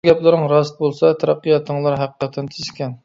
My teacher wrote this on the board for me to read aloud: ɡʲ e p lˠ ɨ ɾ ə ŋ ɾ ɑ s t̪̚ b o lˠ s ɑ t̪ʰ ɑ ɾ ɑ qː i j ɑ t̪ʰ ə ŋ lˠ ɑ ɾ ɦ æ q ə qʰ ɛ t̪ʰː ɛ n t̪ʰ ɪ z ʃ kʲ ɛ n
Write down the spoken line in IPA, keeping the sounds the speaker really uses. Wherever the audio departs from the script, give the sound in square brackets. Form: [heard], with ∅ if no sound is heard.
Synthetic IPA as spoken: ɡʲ [ɛ] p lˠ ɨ ɾ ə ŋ ɾ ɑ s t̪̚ b o lˠ s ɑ t̪ʰ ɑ ɾ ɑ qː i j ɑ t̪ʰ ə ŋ lˠ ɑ ɾ ɦ æ q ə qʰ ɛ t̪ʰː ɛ n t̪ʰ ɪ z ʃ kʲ ɛ n